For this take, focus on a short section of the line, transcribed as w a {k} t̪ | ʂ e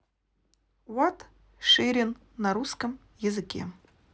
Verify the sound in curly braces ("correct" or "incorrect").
incorrect